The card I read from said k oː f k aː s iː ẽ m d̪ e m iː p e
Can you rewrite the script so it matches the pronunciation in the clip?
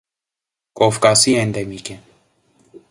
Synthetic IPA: k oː f k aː s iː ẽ n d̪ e m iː k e

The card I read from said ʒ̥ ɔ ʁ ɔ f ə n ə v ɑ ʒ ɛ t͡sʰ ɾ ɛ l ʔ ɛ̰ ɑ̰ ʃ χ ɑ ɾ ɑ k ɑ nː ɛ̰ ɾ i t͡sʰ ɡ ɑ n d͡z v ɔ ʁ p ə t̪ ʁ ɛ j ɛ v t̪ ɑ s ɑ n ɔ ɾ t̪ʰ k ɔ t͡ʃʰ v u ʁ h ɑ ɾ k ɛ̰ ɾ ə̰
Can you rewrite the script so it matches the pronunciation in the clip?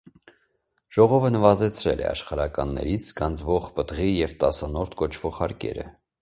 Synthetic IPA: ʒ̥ ɔ ʁ ɔ v ə n ə v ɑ z ɛ t͡sʰ ɾ ɛ l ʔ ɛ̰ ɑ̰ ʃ χ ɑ ɾ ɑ k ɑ nː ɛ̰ ɾ i t͡sʰ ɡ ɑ n d͡z v ɔ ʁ p ə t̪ ʁ i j ɛ v t̪ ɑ s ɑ n ɔ ɾ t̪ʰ k ɔ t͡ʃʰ v ɔ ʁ h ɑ ɾ k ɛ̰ ɾ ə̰

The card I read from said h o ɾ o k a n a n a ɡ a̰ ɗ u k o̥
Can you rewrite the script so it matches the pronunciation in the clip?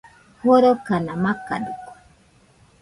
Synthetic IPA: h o ɾ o k a n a m a k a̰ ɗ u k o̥

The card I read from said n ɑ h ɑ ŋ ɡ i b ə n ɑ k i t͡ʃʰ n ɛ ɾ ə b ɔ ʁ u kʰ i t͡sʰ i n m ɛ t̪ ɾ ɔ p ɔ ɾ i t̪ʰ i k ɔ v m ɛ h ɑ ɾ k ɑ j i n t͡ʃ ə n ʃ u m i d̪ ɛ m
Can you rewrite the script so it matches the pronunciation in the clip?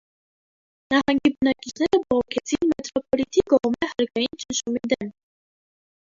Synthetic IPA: n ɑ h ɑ ŋ ɡ i b ə n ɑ k i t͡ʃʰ n ɛ ɾ ə b ɔ ʁ ɔ kʰ ɛ t͡sʰ i n m ɛ t̪ ɾ ɔ p ɔ l i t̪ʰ i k ɔ ʁ m ɛ h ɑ ɾ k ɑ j i n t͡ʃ ə n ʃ u m i d̪ ɛ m

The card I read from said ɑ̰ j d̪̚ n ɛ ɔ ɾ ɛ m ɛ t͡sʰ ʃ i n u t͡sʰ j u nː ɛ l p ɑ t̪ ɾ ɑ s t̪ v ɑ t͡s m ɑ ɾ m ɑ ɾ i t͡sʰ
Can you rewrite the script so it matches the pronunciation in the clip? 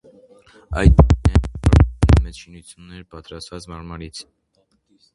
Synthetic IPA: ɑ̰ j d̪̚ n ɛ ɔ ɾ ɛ m ɛ t͡s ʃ i n u t͡sʰ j u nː ɛ ɾ p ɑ t̪ ɾ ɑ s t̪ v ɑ t͡s m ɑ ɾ m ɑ ɾ i t͡sʰ

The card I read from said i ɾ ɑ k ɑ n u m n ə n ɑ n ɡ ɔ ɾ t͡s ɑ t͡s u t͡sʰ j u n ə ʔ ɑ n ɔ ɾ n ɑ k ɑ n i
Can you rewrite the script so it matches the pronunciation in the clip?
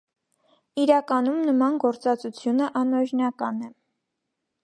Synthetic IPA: i ɾ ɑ k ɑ n u m n ə m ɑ n ɡ ɔ ɾ t͡s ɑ t͡s u t͡sʰ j u n ə ʔ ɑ n ɔ ɾ n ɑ k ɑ n ɛ

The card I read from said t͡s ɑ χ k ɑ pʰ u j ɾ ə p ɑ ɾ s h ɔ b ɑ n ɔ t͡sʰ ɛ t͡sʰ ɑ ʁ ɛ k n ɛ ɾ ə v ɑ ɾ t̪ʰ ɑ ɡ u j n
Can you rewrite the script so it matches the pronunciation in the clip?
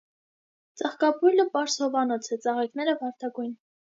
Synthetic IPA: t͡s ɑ χ k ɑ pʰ u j l ə p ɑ ɾ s h ɔ v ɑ n ɔ t͡sʰ ɛ t͡s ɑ ʁ ɛ k n ɛ ɾ ə v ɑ ɾ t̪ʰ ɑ ɡ u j n

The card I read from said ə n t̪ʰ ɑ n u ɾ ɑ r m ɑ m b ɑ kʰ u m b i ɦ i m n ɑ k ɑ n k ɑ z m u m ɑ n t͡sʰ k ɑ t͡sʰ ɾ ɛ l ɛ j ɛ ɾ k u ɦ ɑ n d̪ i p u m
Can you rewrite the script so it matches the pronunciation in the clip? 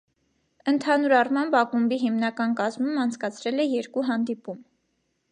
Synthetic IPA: ə n t̪ʰ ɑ n u ɾ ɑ r m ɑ m b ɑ k u m b i ɦ i m n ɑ k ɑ n k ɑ z m u m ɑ n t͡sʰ k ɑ t͡sʰ ɾ ɛ l ɛ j ɛ ɾ k u ɦ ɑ n d̪ i p u m

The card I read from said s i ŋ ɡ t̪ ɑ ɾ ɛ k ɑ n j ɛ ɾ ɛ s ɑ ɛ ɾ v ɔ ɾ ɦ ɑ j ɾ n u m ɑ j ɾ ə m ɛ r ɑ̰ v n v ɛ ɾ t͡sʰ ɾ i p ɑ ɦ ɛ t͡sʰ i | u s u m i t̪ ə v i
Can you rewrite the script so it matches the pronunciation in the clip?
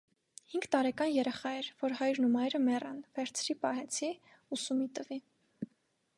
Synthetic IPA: h i ŋ ɡ t̪ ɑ ɾ ɛ k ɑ n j ɛ ɾ ɛ χ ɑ ɛ ɾ v ɔ ɾ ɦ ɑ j ɾ n u m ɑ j ɾ ə m ɛ r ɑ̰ n v ɛ ɾ t͡sʰ ɾ i p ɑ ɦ ɛ t͡sʰ i | u s u m i t̪ ə v i

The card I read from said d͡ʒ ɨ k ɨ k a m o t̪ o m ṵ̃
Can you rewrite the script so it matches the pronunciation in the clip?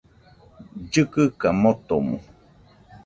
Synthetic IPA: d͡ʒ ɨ k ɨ k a m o t̪ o m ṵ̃

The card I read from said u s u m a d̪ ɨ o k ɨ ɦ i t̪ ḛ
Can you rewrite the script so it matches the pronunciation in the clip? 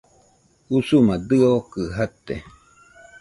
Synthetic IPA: u s u m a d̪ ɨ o k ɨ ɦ a t̪ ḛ

